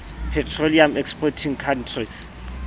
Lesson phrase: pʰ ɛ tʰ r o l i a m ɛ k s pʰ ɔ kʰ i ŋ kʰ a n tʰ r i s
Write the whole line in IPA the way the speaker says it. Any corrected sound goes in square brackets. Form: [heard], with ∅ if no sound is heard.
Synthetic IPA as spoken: pʰ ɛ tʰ r o l i a m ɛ k s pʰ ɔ [tʰ] i ŋ kʰ a n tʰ r i s